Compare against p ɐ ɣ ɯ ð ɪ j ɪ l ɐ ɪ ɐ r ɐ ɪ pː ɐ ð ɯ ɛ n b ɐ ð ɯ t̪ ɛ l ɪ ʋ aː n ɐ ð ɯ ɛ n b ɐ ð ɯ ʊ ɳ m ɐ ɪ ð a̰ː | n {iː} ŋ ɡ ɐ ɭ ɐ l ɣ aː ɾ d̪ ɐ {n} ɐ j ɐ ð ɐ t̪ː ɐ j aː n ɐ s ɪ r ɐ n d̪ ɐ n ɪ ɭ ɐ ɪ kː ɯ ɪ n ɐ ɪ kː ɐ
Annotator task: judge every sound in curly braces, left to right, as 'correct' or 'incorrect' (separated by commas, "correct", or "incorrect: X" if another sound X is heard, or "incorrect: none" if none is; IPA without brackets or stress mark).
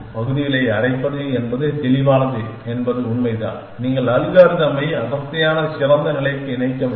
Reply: correct, incorrect: m